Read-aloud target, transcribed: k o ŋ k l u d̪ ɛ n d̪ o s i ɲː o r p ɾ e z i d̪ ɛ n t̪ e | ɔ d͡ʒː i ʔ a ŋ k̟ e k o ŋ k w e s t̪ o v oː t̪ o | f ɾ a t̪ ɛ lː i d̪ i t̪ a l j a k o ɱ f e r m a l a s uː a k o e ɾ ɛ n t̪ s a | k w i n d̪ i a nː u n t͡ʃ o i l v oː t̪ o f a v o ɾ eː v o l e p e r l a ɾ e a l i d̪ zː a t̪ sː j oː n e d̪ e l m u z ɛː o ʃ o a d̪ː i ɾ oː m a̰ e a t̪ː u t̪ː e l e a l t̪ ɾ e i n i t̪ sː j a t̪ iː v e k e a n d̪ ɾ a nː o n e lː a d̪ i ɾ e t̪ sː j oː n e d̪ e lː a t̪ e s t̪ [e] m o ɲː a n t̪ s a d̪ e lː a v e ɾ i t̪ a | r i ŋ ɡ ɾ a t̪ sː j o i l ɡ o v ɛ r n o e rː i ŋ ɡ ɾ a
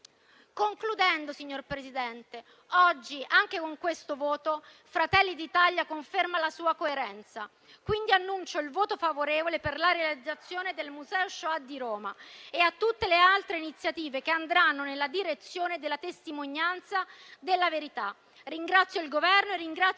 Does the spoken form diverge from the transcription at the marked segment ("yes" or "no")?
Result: yes